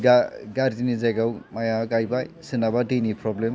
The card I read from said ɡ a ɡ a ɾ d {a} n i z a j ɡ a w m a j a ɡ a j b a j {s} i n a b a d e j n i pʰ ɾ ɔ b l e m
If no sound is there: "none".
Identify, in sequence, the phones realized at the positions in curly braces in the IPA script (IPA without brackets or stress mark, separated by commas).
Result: i, s